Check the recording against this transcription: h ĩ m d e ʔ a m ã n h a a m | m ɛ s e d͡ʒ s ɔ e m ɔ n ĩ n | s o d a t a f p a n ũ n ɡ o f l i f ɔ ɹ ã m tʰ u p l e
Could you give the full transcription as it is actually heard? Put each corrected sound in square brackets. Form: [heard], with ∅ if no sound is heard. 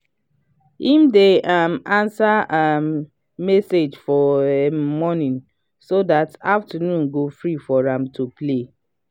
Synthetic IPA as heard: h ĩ m d e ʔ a m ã n [s] a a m | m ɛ s e d͡ʒ [f] ɔ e m ɔ n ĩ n | s o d a t a f [t] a n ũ n ɡ o f [ɹ] i f ɔ ɹ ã m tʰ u p l e